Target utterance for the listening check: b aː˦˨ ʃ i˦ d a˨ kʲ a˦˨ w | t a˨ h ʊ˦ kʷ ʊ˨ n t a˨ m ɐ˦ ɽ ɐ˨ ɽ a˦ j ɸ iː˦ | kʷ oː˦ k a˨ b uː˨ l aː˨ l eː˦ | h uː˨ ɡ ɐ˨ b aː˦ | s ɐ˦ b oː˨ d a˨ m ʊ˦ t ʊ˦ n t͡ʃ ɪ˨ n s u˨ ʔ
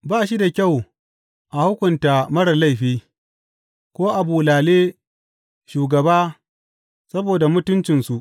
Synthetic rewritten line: b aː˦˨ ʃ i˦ d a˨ kʲ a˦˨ w | ʔ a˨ h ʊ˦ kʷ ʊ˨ n t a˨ m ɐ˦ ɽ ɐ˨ l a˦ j ɸ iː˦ | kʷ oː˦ ʔ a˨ b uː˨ l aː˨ l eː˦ | ʃ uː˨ ɡ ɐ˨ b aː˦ | s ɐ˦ b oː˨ d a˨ m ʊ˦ t ʊ˦ n t͡ʃ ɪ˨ n s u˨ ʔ